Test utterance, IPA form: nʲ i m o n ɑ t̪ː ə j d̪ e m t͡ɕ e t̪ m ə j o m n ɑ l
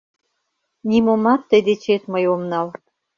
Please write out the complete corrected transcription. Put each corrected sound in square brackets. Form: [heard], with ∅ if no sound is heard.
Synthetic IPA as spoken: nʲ i m o [m] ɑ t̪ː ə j d̪ e [∅] t͡ɕ e t̪ m ə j o m n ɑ l